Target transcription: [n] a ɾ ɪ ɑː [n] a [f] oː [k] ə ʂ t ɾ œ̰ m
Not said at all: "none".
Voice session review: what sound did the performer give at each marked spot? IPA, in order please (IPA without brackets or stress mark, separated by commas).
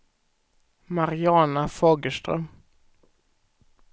m, n, f, ɡ